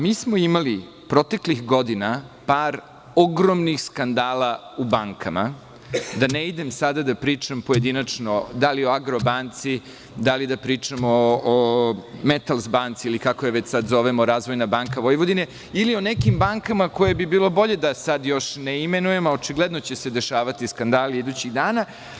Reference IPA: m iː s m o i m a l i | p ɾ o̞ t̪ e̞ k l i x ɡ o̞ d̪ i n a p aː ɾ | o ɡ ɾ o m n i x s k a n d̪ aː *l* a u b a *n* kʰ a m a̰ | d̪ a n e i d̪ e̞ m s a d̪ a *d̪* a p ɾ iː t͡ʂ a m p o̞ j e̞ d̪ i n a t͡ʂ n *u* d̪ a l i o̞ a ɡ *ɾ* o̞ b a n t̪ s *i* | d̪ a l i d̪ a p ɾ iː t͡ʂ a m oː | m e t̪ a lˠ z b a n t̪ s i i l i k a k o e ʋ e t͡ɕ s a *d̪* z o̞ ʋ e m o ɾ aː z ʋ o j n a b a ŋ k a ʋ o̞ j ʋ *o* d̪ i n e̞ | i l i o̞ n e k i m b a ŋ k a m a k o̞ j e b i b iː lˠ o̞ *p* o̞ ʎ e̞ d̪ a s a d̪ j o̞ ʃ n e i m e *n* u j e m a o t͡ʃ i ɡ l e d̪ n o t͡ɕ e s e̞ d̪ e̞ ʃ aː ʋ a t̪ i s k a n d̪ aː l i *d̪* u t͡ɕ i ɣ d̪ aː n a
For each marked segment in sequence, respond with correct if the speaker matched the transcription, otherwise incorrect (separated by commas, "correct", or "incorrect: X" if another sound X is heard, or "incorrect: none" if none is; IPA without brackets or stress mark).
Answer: correct, incorrect: ŋ, correct, incorrect: o, correct, correct, correct, correct, incorrect: b, correct, correct